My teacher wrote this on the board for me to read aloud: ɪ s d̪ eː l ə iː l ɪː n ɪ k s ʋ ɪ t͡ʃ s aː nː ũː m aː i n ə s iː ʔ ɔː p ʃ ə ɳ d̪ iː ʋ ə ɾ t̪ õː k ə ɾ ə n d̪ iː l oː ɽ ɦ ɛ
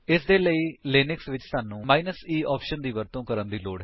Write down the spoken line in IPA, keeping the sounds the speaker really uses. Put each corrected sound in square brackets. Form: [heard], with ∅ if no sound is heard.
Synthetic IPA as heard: ɪ s d̪ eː l ə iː l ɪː n ɪ k s ʋ ɪ t͡ʃ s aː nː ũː m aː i n ə s iː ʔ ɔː p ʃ ə [n] d̪ iː ʋ ə ɾ t̪ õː k ə ɾ ə n d̪ iː l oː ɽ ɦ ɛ

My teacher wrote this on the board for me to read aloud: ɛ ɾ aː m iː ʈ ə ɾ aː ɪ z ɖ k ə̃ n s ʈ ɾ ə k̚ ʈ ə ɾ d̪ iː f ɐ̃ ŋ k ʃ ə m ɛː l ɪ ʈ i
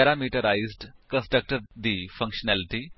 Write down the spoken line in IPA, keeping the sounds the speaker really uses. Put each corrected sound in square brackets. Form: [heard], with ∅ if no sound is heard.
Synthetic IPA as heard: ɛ ɾ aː m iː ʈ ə ɾ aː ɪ z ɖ k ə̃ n s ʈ ɾ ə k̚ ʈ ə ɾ d̪ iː f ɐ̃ ŋ k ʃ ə [n] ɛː l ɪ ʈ i

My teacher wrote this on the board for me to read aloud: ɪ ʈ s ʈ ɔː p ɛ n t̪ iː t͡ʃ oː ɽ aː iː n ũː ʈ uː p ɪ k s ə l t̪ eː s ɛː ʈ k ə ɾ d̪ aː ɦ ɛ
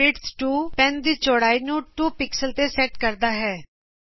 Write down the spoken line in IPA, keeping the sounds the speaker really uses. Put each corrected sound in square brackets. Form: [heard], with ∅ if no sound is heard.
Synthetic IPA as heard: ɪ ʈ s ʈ [uː] p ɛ n [d̪] iː t͡ʃ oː ɽ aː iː n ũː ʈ uː p ɪ k s ə l t̪ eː s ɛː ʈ k ə ɾ d̪ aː ɦ [ɛː]

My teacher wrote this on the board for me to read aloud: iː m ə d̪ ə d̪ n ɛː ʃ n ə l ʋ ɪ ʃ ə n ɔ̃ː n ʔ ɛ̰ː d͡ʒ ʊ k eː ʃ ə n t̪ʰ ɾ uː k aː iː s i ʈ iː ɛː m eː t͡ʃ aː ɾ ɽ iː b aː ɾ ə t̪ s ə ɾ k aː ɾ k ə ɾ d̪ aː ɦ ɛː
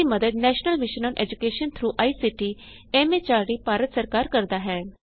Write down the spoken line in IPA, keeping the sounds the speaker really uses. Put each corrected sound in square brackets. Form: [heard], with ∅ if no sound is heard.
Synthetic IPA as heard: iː m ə d̪ ə d̪ n ɛː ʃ n ə l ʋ ɪ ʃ ə n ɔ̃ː n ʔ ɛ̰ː d͡ʒ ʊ k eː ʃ ə n t̪ʰ ɾ uː [ʔ] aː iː s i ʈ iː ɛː m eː t͡ʃ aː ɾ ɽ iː [p] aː ɾ ə t̪ s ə ɾ k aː ɾ k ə ɾ d̪ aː ɦ ɛː

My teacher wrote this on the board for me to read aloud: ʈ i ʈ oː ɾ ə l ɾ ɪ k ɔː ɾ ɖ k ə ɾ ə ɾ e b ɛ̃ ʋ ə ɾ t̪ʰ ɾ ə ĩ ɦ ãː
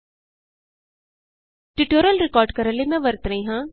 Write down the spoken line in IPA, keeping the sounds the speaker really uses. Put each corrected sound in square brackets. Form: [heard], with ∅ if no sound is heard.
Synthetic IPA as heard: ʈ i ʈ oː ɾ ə l ɾ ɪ k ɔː ɾ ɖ k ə ɾ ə [l] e [m] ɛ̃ ʋ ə ɾ [t̪] ɾ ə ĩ ɦ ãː

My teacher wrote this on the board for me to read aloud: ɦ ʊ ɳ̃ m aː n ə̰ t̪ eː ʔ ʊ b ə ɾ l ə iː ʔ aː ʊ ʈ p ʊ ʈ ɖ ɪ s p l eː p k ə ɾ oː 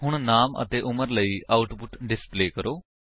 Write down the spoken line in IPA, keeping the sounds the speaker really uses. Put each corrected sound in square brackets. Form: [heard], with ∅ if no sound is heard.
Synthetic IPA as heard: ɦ ʊ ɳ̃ [n] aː [m] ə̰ t̪ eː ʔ ʊ [m] ə ɾ l ə iː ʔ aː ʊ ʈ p ʊ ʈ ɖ ɪ s p l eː [∅] k ə ɾ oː

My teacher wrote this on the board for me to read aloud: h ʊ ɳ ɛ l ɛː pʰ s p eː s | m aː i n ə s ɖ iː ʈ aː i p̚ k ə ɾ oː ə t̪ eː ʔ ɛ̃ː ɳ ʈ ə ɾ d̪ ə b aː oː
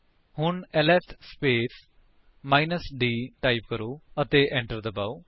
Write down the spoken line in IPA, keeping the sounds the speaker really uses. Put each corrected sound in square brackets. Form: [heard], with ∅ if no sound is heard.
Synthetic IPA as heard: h ʊ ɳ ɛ l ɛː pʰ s p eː s | m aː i n ə s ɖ iː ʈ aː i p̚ k ə ɾ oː ə t̪ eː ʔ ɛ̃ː ɳ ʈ ə ɾ d̪ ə b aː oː

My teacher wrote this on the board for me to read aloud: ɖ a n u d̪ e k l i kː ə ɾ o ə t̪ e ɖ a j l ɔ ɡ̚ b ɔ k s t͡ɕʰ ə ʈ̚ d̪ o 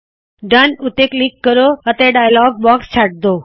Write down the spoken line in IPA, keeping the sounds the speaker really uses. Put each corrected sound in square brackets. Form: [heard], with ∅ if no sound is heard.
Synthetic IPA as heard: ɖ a n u [t̪] e k l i kː ə ɾ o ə t̪ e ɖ a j l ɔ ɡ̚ b ɔ k s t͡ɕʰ [a] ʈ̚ d̪ o

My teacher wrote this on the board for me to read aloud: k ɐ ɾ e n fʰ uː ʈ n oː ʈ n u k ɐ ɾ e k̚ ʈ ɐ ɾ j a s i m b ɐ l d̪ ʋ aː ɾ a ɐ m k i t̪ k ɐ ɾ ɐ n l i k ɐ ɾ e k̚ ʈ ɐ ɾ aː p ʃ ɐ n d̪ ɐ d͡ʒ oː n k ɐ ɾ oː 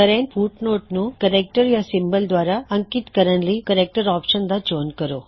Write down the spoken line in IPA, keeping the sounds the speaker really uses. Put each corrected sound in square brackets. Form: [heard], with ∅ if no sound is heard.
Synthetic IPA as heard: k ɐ ɾ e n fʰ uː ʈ n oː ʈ n u k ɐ ɾ e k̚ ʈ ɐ ɾ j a s i m b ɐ l d̪ ʋ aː ɾ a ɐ [ŋ] k i t̪ k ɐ ɾ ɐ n l i k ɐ ɾ e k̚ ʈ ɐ ɾ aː p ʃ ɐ n d̪ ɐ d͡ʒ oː n k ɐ ɾ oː

